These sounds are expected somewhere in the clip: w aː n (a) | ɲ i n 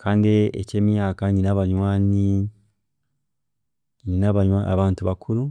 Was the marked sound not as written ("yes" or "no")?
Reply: yes